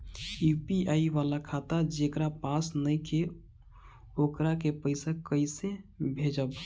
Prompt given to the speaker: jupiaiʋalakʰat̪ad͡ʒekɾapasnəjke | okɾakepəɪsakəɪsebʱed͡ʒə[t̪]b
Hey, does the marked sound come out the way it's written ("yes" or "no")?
no